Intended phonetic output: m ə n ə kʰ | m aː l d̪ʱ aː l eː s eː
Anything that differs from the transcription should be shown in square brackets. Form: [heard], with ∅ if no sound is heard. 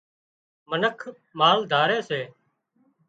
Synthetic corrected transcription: m ə n ə kʰ | m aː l d̪ʱ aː [ɾ] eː s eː